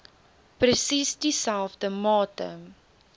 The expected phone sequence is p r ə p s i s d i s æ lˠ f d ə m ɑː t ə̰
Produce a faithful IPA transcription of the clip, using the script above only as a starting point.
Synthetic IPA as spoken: p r ə s i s d i s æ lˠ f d ə m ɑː t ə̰